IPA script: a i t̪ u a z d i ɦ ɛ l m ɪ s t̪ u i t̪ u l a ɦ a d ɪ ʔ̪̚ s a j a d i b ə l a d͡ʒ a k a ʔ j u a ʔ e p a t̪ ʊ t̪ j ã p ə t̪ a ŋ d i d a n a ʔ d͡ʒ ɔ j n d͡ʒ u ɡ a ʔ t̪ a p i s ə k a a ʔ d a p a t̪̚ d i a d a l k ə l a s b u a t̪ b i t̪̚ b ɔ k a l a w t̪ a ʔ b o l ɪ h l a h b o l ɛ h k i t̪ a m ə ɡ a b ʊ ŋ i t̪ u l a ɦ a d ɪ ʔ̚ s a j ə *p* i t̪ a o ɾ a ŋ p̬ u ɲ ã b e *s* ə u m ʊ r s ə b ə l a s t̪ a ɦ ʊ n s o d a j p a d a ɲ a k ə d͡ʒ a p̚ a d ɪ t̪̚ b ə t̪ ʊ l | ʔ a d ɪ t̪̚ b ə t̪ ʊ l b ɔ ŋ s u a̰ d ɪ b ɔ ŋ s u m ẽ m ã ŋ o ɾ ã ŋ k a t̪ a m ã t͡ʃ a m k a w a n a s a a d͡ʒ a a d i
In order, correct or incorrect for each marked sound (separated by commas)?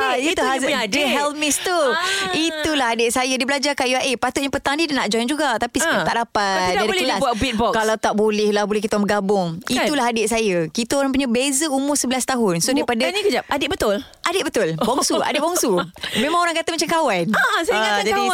incorrect, incorrect